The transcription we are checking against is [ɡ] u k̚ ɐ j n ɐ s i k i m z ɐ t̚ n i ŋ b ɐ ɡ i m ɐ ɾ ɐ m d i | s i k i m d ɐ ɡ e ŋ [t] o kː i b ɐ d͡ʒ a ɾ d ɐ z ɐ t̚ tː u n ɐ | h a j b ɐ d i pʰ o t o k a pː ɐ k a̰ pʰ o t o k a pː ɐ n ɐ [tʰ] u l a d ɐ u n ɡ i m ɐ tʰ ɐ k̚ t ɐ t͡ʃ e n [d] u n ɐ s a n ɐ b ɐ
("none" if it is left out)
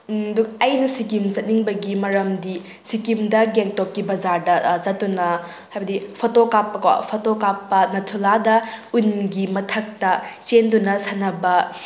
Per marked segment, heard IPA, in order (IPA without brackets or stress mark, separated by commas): d, t, tʰ, d